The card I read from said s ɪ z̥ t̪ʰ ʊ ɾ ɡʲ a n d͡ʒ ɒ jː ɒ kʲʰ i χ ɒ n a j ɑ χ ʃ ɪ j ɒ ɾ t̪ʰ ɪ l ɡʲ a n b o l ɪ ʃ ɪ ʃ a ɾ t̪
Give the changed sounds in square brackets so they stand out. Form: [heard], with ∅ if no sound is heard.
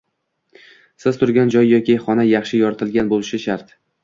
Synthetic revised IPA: s ɪ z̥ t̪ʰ ʊ ɾ ɡʲ a n d͡ʒ ɒ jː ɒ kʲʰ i χ ɒ n a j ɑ χ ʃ ɪ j ɒ ɾ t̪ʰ ɪ l ɡʲ a n b o l ɪ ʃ ɪ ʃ a ɾ t̪